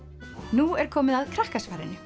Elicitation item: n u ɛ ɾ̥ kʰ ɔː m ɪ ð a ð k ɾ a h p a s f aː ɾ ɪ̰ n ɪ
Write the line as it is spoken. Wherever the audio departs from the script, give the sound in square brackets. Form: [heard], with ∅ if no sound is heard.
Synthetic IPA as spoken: n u ɛ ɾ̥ kʰ ɔː m ɪ ð a ð [kʰ] ɾ a h [k] a s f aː ɾ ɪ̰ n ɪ